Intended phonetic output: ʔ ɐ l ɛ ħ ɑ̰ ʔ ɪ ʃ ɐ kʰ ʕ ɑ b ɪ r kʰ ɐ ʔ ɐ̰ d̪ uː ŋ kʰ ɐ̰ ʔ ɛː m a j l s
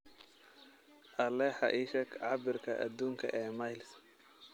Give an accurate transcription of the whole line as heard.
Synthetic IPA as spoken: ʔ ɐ l ɛ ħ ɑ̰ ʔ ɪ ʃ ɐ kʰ ʕ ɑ b ɪ r kʰ ɐ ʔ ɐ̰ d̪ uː ŋ kʰ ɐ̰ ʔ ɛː m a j l s